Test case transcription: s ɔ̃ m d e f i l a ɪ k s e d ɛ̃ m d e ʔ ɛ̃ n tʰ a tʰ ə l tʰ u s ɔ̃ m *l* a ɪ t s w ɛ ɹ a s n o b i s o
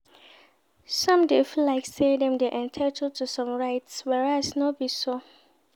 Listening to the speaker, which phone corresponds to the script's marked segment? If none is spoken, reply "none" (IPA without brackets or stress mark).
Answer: ɹ